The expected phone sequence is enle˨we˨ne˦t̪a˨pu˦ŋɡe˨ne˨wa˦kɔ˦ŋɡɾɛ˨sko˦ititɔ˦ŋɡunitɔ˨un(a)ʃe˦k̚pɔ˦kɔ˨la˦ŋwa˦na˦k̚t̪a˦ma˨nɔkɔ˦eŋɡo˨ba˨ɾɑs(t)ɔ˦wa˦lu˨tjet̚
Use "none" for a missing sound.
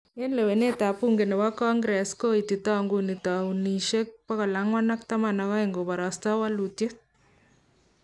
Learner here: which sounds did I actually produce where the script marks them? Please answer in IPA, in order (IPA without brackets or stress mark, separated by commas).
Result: i, t